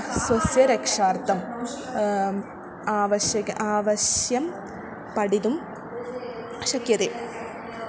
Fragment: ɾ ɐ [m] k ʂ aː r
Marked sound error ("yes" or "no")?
yes